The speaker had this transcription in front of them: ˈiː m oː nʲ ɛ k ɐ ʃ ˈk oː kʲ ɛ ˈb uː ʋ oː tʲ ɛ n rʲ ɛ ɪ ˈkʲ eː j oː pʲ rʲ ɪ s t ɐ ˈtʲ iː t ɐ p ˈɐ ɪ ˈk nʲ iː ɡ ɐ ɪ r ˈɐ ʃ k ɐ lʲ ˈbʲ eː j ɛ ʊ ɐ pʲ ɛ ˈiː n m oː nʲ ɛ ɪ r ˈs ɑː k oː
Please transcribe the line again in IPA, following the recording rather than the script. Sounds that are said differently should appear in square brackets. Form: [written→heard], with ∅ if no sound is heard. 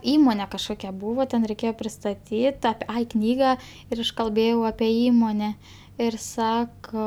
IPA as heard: ˈiː m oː nʲ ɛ k ɐ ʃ ˈk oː kʲ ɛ ˈb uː ʋ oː tʲ ɛ n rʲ ɛ ɪ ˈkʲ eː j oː pʲ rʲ ɪ s t ɐ ˈtʲ iː t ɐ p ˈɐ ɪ ˈk nʲ iː ɡ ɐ ɪ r ˈɐ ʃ k ɐ lʲ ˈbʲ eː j ɛ ʊ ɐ pʲ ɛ ˈiː [n→∅] m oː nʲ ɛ ɪ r ˈs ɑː k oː